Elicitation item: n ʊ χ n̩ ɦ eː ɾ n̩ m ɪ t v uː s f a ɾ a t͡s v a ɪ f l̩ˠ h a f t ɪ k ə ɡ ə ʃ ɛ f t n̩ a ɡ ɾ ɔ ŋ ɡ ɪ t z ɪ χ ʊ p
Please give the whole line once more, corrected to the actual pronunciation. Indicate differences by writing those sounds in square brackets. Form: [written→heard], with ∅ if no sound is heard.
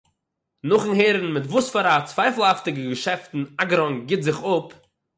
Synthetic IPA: n ʊ χ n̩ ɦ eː ɾ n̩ m ɪ t v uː s f a ɾ a t͡s v a ɪ f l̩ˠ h a f t ɪ [k→ɡ] ə ɡ ə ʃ ɛ f t n̩ a ɡ ɾ ɔ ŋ ɡ ɪ t z ɪ χ ʊ p